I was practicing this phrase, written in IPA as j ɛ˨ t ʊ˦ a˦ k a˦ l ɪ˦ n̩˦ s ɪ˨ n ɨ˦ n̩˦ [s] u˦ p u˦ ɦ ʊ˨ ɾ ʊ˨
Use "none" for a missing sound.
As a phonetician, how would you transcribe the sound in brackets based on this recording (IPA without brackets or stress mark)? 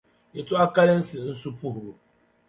s